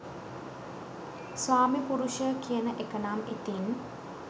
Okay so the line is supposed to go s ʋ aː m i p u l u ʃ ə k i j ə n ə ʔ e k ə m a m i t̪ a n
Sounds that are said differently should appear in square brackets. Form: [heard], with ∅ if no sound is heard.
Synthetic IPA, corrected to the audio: s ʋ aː m i p u [ɾ] u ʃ ə k i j ə n ə ʔ e k ə [n] a m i t̪ [i] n